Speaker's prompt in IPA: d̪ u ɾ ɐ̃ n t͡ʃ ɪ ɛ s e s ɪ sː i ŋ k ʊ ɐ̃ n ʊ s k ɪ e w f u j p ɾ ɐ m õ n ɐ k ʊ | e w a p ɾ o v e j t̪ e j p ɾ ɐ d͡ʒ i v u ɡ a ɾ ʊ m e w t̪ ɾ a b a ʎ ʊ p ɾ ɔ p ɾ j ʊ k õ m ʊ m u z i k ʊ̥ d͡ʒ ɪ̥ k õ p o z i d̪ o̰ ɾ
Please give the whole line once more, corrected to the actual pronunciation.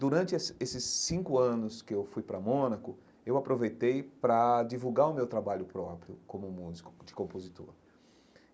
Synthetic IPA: d̪ u ɾ ɐ̃ n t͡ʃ ɪ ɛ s e s ɪ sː ĩ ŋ k ʊ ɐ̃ n ʊ s k ɪ e w f u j p ɾ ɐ m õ n ɐ k ʊ | e w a p ɾ o v e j t̪ e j p ɾ ɐ d͡ʒ i v u ɡ a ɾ ʊ m e w t̪ ɾ a b a ʎ ʊ p ɾ ɔ p ɾ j ʊ k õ m ʊ m u z i k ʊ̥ d͡ʒ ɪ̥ k õ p o z i t̪ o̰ ɾ

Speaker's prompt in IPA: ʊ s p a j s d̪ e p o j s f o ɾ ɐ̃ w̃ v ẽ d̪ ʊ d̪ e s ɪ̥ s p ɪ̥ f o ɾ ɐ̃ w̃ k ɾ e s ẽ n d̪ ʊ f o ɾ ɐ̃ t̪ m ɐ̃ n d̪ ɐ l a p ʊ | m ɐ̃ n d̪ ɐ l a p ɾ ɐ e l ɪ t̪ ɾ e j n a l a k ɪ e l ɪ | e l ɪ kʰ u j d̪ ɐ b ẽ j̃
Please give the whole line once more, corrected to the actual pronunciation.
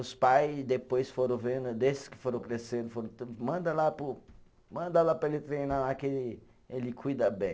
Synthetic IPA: ʊ s p a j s d̪ e p o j s f o ɾ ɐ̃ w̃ v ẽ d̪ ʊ d̪ e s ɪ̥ s k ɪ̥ f o ɾ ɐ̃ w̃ k ɾ e s ẽ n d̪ ʊ f o ɾ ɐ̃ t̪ m ɐ̃ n d̪ ɐ l a p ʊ | m ɐ̃ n d̪ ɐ l a p ɾ ɐ e l ɪ t̪ ɾ e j n a l a k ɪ e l ɪ | e l ɪ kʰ u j d̪ ɐ b ẽ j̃

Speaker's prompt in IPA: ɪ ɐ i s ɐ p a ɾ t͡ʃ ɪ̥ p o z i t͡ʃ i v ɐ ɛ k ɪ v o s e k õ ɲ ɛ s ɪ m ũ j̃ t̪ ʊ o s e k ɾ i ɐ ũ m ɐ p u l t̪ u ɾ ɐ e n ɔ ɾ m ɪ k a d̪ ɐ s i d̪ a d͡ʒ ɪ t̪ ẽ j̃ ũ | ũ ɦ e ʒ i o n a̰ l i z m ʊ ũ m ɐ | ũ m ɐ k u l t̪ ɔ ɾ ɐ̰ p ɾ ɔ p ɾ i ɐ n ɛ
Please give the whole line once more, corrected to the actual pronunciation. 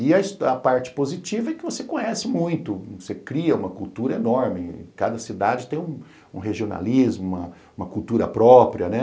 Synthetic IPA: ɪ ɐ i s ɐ p a ɾ t͡ʃ ɪ̥ p o z i t͡ʃ i v ɐ ɛ k ɪ v o s e k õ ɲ ɛ s ɪ m ũ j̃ t̪ ʊ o s e k ɾ i ɐ ũ m ɐ k u l t̪ u ɾ ɐ e n ɔ ɾ m ɪ k a d̪ ɐ s i d̪ a d͡ʒ ɪ t̪ ẽ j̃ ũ | ũ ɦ e ʒ i o n a̰ l i z m ʊ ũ m ɐ | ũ m ɐ k u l t̪ u ɾ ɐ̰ p ɾ ɔ p ɾ i ɐ n ɛ

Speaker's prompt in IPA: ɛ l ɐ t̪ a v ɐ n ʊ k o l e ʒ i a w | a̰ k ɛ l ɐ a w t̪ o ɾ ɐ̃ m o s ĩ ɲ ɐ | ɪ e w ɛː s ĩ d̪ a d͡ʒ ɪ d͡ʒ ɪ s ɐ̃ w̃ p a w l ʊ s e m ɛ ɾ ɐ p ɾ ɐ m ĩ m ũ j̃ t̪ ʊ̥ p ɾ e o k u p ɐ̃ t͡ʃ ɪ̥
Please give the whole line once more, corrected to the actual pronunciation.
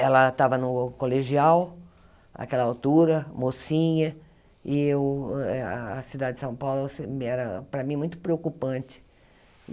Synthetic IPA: ɛ l ɐ t̪ a v ɐ n ʊ k o l e ʒ i a w | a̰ k ɛ l ɐ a w t̪ u ɾ ɐ m o s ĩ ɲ ɐ | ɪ e w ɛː s i d̪ a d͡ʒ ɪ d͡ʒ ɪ s ɐ̃ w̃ p a w l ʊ s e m ɛ ɾ ɐ p ɾ ɐ m ĩ m ũ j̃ t̪ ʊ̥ p ɾ e o k u p ɐ̃ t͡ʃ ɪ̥

